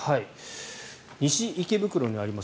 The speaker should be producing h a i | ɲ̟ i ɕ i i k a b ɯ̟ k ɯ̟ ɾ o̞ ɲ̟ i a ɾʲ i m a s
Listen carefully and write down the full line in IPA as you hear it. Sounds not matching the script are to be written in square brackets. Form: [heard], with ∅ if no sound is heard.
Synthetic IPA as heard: h a i | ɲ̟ i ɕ i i k [e] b ɯ̟ k ɯ̟ ɾ o̞ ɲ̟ i a ɾʲ i m a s